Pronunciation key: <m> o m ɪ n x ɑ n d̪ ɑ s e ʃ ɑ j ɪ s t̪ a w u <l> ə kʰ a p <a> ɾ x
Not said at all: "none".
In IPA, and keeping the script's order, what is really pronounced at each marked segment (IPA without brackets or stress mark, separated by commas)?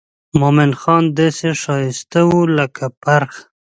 m, l, a